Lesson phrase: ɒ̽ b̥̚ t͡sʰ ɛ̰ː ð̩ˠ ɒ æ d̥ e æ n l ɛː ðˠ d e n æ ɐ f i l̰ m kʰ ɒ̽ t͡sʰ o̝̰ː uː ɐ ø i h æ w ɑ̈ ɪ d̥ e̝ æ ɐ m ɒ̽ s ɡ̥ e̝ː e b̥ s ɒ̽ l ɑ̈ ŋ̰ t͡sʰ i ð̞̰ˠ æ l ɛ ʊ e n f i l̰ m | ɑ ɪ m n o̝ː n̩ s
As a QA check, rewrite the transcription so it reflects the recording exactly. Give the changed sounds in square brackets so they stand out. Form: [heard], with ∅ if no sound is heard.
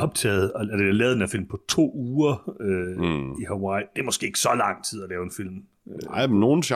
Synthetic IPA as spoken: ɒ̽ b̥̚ t͡sʰ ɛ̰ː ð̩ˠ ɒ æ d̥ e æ [∅] l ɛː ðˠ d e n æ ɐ f i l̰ m [pʰ] ɒ̽ t͡sʰ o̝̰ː uː ɐ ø i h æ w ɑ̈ ɪ d̥ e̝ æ ɐ m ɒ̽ s ɡ̥ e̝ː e [ɡ̥] s ɒ̽ l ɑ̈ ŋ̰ t͡sʰ i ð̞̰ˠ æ l [ɛː] ʊ e n f i l̰ m | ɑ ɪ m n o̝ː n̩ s